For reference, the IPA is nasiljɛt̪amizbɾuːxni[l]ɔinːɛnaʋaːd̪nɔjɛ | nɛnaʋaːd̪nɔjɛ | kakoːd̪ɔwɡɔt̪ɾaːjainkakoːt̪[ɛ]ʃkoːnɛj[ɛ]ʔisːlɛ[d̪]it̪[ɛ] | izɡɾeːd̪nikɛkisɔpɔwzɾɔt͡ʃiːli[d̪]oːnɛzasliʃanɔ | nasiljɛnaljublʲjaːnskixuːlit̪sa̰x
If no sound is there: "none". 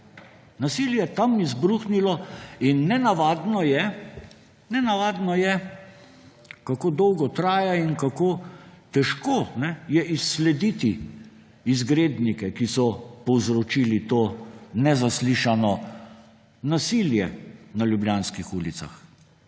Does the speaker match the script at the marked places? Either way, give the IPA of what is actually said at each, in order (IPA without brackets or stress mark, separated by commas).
l, ɛ, ɛ, d̪, i, t̪